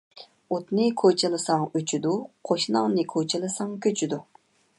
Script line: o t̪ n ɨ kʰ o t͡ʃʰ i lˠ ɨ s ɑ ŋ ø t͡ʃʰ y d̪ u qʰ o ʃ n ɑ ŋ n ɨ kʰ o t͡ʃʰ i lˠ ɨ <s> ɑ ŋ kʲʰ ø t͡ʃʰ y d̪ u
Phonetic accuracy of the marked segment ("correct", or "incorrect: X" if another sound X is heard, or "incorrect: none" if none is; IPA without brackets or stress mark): correct